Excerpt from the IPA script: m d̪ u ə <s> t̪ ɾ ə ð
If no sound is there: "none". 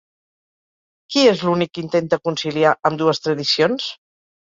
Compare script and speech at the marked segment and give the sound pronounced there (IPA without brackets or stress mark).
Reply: s